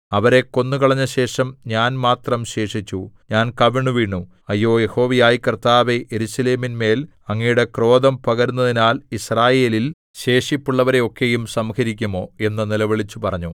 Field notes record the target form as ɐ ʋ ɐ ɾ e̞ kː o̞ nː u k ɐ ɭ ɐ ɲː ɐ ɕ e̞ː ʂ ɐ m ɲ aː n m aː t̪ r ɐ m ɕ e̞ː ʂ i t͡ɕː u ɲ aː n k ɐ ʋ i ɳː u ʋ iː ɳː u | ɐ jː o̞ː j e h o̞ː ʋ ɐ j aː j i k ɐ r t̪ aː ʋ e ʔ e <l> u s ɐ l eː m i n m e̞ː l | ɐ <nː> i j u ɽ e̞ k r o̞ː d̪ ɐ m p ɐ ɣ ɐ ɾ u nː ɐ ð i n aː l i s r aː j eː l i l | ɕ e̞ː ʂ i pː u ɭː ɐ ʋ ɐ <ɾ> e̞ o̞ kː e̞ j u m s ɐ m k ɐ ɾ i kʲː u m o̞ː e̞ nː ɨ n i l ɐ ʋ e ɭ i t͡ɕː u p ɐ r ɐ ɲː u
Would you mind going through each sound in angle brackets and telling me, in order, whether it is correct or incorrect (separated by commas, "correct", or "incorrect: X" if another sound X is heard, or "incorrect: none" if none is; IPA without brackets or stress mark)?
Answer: incorrect: ɾ, incorrect: ŋː, correct